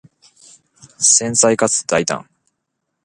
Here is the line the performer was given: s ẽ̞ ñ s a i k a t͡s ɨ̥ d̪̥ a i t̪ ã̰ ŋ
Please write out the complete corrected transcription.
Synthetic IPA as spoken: s ẽ̞ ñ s a i k a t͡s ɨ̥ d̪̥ a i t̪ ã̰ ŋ